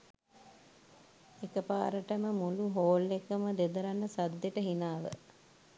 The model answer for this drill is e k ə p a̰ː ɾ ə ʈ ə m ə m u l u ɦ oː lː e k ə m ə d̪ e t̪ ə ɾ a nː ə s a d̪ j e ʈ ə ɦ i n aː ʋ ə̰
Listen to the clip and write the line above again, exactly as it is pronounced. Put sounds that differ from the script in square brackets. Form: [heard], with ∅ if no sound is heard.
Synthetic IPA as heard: e k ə p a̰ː ɾ ə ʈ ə m ə m u l u ɦ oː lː e k ə m ə d̪ e [d̪] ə ɾ a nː ə s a d̪ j e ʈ ə ɦ i n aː ʋ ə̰